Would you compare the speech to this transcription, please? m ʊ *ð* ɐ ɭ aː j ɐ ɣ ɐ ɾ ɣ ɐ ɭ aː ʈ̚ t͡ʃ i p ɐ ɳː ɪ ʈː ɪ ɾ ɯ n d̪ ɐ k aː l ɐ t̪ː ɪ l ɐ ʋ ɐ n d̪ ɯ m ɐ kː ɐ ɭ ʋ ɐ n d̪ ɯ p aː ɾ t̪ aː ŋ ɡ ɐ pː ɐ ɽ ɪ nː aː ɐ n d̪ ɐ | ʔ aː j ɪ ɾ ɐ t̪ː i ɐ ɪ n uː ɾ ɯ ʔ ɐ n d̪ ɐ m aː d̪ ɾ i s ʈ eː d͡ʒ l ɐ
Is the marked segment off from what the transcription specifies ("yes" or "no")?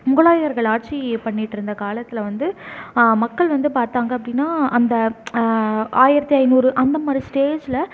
yes